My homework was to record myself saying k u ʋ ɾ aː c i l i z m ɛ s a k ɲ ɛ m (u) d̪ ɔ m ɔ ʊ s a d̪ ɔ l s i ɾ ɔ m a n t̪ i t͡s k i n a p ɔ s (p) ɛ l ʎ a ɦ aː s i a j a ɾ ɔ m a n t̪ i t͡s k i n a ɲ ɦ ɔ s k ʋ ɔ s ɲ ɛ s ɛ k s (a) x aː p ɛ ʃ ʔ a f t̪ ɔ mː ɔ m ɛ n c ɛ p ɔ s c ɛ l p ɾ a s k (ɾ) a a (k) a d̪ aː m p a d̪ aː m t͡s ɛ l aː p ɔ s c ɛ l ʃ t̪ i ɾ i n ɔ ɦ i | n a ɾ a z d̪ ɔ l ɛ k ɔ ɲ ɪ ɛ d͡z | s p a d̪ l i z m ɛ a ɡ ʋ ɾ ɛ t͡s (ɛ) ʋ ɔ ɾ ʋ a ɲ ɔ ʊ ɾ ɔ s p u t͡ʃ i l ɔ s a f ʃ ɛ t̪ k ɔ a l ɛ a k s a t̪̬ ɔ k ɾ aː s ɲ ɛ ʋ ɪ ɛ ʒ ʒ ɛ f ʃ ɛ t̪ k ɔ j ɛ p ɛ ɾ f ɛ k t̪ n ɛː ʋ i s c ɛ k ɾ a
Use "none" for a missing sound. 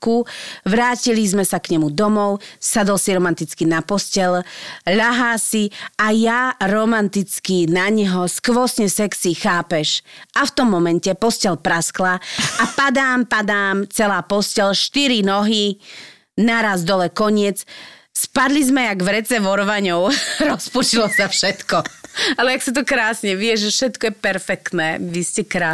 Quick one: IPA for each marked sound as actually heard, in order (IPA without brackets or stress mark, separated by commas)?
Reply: u, c, i, l, p, ɛ